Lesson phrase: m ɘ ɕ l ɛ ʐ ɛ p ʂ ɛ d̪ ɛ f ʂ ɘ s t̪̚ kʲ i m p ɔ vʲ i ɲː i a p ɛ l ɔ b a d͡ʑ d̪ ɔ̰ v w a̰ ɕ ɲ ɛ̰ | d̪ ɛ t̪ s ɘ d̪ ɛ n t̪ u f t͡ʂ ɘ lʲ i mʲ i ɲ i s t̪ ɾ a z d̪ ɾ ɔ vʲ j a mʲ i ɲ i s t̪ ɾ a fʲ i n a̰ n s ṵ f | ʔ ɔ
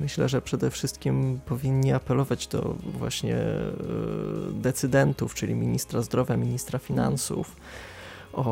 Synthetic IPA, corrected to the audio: m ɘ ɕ l ɛ ʐ ɛ p ʂ ɛ d̪ ɛ f ʂ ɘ s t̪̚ kʲ i m p ɔ vʲ i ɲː i a p ɛ l ɔ v a d͡ʑ d̪ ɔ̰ v w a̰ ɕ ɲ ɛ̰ | d̪ ɛ t̪ s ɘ d̪ ɛ n t̪ u f t͡ʂ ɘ lʲ i mʲ i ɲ i s t̪ ɾ a z d̪ ɾ ɔ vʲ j a mʲ i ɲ i s t̪ ɾ a fʲ i n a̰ n s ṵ f | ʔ ɔ